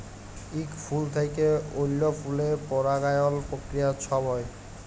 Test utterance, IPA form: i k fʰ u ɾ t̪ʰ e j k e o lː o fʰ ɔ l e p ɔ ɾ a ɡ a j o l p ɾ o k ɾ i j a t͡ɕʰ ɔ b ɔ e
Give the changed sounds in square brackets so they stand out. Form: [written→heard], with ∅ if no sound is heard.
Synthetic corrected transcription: i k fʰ u [ɾ→l] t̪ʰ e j k e o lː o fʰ [ɔ→u] l e p ɔ ɾ a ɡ a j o l p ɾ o k ɾ i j a t͡ɕʰ ɔ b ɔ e